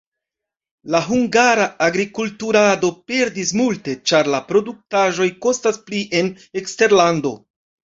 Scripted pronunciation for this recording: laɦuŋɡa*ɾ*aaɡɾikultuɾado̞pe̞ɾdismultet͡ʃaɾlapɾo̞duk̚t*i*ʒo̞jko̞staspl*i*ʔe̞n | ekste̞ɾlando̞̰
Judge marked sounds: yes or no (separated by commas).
yes, no, yes